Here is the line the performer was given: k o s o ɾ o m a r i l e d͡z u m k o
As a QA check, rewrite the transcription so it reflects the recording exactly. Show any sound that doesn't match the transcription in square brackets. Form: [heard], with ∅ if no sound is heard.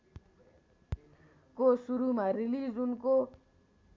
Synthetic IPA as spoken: k o s [u] ɾ [u] m a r i l [i] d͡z u [n] k o